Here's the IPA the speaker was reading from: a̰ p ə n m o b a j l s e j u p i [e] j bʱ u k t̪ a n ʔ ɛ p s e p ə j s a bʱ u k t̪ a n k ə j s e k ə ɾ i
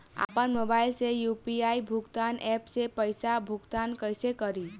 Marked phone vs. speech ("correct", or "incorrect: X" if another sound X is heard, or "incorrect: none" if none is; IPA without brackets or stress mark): incorrect: a